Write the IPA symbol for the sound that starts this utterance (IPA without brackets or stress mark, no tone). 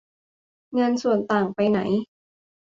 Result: ŋ